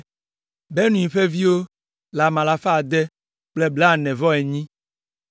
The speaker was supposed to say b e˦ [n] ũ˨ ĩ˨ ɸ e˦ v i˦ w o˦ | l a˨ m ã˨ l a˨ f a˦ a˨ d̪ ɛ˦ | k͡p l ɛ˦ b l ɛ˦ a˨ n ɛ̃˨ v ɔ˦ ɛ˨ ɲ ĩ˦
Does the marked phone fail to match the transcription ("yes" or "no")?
no